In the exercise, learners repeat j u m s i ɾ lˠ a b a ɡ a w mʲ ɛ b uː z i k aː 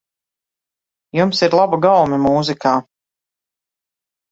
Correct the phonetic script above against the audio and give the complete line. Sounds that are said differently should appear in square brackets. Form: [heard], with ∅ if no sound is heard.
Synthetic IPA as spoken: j u m s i ɾ lˠ a b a ɡ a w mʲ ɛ [m] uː z i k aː